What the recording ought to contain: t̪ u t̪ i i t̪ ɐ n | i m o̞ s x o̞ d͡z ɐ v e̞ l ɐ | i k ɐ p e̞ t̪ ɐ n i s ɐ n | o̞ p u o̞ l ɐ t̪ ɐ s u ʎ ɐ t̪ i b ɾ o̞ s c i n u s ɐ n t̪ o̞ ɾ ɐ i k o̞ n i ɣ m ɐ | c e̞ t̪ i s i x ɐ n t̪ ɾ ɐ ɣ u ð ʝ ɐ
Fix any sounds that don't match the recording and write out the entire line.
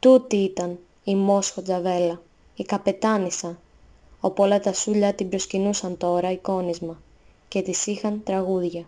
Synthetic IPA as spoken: t̪ u t̪ i i t̪ ɐ n | i m o̞ s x o̞ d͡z ɐ v e̞ l ɐ | i k ɐ p e̞ t̪ ɐ n i s ɐ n | o̞ p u o̞ l ɐ t̪ ɐ s u ʎ ɐ t̪ i b ɾ o̞ s c i n u s ɐ n t̪ o̞ ɾ ɐ i k o̞ n i z m ɐ | c e̞ t̪ i s i x ɐ n t̪ ɾ ɐ ɣ u ð ʝ ɐ